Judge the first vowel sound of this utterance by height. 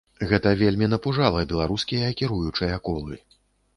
mid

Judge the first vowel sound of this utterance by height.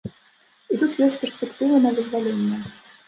high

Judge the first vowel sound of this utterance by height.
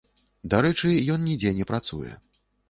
low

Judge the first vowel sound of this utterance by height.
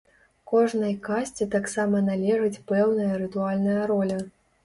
mid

